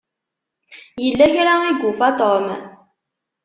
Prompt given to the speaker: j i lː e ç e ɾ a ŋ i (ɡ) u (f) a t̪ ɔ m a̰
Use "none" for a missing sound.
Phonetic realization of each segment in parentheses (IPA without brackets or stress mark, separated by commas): ɡ, f